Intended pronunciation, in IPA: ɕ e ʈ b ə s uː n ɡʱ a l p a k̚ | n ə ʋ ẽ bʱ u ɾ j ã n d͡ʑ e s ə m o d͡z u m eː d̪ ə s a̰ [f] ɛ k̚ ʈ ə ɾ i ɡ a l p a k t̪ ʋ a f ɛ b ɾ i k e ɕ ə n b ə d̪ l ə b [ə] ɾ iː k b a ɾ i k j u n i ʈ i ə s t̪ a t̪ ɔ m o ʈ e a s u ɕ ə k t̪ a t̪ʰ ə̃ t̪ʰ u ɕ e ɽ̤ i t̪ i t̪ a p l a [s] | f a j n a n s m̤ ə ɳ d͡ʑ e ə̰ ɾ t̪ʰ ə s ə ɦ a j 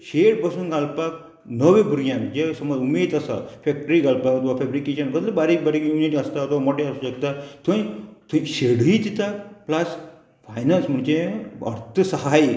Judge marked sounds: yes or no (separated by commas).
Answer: yes, no, yes